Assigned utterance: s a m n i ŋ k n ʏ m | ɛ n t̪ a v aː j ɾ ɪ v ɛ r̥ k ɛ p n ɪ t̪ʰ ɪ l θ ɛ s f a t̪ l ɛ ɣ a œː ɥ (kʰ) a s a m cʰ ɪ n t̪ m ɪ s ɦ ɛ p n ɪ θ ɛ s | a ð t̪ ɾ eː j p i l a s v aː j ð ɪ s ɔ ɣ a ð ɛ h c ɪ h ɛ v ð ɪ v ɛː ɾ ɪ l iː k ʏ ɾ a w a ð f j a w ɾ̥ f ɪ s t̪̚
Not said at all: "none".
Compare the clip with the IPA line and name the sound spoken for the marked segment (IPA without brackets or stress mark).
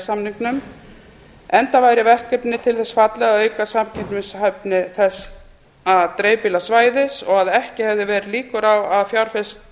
k